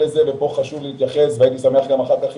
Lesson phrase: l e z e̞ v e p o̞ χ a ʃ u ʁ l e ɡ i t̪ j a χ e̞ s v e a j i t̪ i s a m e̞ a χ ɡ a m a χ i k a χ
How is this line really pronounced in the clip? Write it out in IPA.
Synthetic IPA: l e z e̞ v e p o̞ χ a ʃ u v l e i t̪ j a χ e̞ s v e a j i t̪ i s a m e̞ a χ ɡ a m a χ a k a χ